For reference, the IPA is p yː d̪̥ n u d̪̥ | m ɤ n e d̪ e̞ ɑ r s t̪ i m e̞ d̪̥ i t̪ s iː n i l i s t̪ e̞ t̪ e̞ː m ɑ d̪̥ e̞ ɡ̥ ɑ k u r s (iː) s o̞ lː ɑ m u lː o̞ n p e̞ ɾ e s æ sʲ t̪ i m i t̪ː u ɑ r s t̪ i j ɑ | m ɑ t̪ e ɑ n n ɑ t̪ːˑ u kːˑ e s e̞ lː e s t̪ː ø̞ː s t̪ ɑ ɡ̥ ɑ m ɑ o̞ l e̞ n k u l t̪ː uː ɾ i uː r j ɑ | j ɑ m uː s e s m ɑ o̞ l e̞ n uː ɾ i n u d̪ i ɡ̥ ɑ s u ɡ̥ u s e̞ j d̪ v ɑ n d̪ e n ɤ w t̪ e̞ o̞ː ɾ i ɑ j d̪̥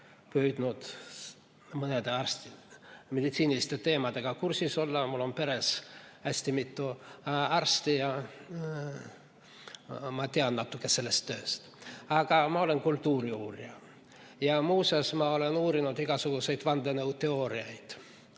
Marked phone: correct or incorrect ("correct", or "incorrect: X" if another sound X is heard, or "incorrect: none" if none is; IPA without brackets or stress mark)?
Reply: incorrect: i